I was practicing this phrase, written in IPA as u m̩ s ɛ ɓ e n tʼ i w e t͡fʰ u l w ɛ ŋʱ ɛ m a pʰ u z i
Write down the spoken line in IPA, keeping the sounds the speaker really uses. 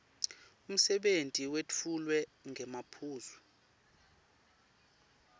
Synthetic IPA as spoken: u m̩ s ɛ ɓ e n tʼ i w e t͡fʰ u l w ɛ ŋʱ ɛ m a pʰ uː z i

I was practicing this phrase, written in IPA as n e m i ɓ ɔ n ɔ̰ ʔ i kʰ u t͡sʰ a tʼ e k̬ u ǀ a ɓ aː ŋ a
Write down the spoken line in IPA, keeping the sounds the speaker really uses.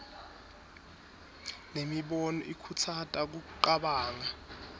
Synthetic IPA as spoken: n e m i ɓ ɔ n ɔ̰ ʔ i kʰ u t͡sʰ a tʼ a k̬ u ǃ a ɓ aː ŋ a

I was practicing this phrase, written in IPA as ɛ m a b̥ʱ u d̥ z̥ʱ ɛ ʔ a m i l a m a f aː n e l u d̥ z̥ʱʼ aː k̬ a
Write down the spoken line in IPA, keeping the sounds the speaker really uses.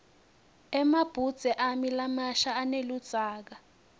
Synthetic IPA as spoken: ɛ m a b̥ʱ u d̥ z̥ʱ ɛ ʔ a m i l a m a ʃ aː n e l u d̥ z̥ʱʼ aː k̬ a

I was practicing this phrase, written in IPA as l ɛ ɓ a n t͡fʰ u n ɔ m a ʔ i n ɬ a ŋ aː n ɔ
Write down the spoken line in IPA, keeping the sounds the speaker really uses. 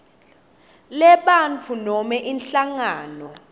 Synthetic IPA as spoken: l ɛ ɓ a n t͡fʰ u n ɔ m ɛ ʔ i n ɬ a ŋ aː n ɔ

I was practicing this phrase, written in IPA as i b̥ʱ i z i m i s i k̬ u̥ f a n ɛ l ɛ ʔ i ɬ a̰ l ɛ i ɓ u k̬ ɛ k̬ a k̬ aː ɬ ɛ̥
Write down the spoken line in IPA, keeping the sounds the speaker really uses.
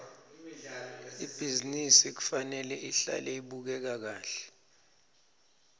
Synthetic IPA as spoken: i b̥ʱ i z i n i s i k̬ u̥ f a n ɛ l ɛ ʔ i ɬ a̰ l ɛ i ɓ u k̬ ɛ k̬ a k̬ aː ɬ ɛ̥

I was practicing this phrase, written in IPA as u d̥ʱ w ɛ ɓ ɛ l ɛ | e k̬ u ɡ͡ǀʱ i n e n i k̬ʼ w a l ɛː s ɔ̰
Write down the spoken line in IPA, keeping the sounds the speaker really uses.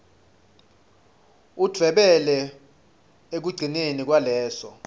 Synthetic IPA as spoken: u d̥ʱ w ɛ ɓ ɛ l ɛ | e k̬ u ɡ͡ǀʱ i n e n i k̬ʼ w a l ɛː s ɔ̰

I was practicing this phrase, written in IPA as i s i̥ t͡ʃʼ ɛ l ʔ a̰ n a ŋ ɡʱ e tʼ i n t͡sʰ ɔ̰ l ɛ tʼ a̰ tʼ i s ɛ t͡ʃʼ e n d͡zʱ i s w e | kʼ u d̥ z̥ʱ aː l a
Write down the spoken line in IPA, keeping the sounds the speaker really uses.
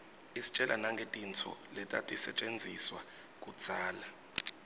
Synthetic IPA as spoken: i s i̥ t͡ʃʼ ɛ l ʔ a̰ n a ŋ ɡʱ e tʼ i n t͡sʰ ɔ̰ l ɛ tʼ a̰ tʼ i s ɛ t͡ʃʼ e n d͡zʱ i s w a | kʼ u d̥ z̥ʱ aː l a

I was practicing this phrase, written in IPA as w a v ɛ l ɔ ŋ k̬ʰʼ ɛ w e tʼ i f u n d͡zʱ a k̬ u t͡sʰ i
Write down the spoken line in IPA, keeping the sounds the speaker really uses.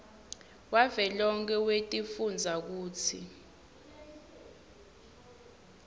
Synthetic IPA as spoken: w a v ɛ l ɔ ŋ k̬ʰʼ ɛ w e tʼ i f u n d͡zʱ a k̬ uː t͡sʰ i

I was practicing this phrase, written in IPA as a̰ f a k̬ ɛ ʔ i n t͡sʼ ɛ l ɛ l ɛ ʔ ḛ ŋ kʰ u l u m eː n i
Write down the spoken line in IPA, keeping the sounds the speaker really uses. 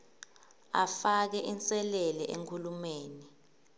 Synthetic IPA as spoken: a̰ f a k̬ ɛ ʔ i n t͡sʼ ɛ l ɛ l ɛ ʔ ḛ ŋ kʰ u l u m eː n i

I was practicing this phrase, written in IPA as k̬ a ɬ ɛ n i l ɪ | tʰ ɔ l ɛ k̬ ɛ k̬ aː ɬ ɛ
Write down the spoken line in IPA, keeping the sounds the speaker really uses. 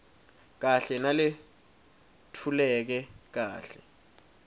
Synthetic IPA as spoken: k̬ a ɬ ɛ n a l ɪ | tʰ u l ɛ k̬ ɛ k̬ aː ɬ ɛ

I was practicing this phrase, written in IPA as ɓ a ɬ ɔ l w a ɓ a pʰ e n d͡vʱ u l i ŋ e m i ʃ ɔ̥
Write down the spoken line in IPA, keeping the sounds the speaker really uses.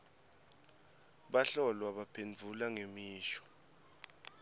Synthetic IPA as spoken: ɓ a ɬ ɔ l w a ɓ a pʰ e n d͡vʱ u l a ŋ e m iː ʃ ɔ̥

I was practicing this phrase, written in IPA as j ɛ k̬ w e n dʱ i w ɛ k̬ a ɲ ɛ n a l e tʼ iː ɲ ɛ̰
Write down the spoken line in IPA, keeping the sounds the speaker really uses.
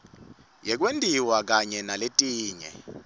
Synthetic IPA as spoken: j ɛ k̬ w e n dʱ i w a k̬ a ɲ ɛ n a l e tʼ iː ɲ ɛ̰

